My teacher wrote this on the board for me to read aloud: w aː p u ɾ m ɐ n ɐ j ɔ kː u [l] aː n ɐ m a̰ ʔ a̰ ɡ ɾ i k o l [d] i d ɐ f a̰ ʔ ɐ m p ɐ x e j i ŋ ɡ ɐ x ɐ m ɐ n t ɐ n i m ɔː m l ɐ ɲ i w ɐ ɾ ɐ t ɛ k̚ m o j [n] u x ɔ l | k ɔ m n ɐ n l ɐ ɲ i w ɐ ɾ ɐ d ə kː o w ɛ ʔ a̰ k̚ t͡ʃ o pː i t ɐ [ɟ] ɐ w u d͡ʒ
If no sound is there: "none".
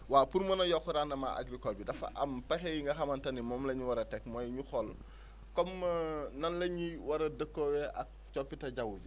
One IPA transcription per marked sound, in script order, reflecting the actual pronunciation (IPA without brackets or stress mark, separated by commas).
ɾ, b, ɲ, ɟ